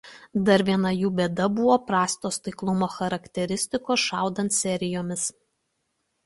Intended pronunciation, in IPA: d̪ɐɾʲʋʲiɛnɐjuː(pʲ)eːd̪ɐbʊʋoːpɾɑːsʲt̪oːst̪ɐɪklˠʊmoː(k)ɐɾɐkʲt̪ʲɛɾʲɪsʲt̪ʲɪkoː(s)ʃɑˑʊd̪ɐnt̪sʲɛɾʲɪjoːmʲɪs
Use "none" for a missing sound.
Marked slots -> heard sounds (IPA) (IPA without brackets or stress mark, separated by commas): bʲ, x, s